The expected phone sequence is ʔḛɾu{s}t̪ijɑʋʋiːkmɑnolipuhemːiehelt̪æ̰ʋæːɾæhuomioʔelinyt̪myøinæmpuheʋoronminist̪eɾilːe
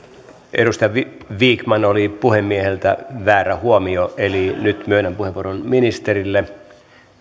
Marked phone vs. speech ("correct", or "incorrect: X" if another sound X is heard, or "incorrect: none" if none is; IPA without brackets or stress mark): correct